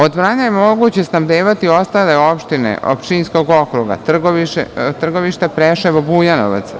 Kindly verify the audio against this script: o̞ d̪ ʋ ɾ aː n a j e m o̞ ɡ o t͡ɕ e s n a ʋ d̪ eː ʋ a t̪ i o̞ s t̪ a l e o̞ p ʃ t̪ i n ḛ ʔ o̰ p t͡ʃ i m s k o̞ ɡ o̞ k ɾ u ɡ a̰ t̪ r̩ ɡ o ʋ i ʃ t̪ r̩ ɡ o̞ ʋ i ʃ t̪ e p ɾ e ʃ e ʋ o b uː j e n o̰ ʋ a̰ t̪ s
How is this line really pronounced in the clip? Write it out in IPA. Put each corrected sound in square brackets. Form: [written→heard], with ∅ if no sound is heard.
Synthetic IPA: o̞ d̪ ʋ ɾ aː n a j e m o̞ ɡ [o→u] t͡ɕ e s n a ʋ d̪ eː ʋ a t̪ i o̞ s t̪ a l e o̞ p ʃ t̪ i n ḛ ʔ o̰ p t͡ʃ i [m→n] s k o̞ ɡ o̞ k ɾ u ɡ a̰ t̪ r̩ ɡ o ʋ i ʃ t̪ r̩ ɡ o̞ ʋ i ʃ t̪ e p ɾ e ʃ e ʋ o b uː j [e→a] n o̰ ʋ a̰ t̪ s